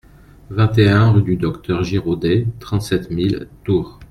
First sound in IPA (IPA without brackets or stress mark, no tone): v